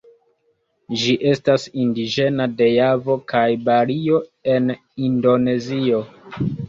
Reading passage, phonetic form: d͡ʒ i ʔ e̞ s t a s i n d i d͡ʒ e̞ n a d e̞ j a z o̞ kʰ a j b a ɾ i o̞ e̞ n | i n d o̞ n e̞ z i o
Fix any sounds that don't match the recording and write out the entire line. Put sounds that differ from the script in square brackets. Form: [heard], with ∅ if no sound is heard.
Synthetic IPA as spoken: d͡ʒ i ʔ e̞ s t a s i n d i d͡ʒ e̞ n a d e̞ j a [v] o̞ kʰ a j b a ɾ i o̞ e̞ n | i n d o̞ n e̞ z i o